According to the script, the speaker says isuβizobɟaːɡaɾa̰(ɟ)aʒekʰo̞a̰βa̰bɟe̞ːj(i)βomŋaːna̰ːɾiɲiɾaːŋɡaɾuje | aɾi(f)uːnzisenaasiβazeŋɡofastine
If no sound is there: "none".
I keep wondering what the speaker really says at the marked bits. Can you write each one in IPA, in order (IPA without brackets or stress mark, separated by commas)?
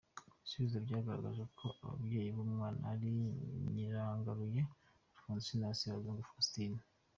ɡ, i, f